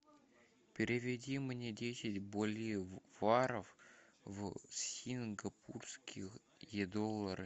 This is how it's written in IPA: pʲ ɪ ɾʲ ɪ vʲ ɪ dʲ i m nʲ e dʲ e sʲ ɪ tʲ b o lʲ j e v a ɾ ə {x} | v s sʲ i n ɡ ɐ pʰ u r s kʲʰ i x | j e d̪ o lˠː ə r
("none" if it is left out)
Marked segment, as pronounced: f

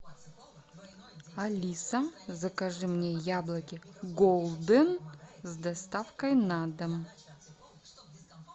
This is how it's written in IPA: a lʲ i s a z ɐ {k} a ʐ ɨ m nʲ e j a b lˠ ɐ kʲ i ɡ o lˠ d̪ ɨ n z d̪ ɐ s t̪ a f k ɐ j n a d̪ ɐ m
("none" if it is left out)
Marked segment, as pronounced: k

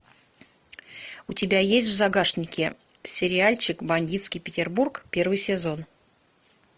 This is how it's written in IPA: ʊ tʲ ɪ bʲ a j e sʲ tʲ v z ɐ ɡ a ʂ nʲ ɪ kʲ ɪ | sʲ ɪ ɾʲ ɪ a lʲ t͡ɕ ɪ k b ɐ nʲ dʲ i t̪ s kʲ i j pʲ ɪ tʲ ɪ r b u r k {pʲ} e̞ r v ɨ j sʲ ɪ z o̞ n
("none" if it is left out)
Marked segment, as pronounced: pʲ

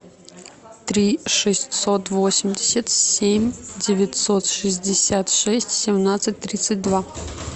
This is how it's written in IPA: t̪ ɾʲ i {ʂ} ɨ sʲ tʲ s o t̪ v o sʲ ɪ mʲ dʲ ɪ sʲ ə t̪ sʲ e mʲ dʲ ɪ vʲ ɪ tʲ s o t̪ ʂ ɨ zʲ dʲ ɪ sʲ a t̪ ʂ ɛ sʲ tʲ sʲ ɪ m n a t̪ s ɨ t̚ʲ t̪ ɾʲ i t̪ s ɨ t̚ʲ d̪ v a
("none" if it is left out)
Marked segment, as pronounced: ʂ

